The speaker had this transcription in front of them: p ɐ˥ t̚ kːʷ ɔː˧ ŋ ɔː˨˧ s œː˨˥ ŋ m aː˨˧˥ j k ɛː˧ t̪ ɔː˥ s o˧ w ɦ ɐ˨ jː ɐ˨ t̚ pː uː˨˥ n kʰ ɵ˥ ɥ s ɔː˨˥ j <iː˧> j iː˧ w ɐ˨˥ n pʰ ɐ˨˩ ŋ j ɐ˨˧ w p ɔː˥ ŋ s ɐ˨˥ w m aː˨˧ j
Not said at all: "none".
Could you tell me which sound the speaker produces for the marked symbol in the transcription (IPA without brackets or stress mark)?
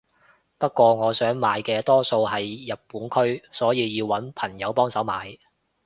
iː˧